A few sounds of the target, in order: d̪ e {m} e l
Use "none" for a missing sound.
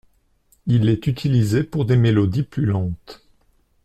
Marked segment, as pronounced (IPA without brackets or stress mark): m